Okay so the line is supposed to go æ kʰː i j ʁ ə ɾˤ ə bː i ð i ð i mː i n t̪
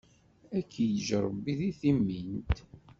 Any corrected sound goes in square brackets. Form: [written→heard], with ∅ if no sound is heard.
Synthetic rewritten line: æ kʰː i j [ʁ→ʒ] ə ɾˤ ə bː i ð i [ð→θ] i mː i n t̪